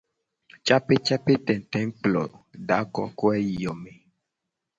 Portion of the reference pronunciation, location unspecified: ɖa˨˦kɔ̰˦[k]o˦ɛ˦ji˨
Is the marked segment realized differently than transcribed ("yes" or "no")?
no